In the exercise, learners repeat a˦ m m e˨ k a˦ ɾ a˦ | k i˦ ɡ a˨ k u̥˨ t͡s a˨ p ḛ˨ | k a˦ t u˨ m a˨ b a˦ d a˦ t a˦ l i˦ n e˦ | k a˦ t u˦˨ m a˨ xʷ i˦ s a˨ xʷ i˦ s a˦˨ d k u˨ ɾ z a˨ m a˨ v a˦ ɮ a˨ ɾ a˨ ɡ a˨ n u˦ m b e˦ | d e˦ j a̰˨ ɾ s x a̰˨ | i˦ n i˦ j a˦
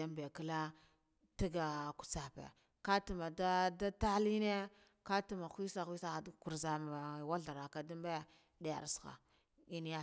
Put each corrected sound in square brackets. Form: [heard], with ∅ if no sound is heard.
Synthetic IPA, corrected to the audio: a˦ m [b] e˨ k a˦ [l] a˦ | [t] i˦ ɡ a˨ k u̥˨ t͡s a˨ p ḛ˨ | k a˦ t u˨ m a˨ [d] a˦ d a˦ t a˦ l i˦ n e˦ | k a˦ t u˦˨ m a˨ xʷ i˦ s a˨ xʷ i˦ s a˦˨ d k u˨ ɾ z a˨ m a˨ [w] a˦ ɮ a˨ ɾ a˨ [k] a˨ [d] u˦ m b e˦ | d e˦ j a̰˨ ɾ s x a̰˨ | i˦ n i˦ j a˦